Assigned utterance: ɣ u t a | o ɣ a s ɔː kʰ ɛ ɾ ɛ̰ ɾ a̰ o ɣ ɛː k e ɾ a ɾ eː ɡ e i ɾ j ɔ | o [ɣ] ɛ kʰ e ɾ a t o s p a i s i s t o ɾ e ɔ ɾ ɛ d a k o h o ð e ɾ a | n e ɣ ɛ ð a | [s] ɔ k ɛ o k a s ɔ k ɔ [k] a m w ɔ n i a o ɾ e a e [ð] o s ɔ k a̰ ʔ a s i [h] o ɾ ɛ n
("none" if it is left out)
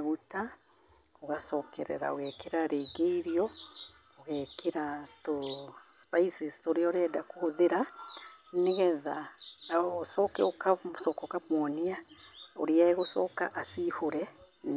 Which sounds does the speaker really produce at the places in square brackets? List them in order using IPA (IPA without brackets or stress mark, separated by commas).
ɣ, s, k, ɣ, h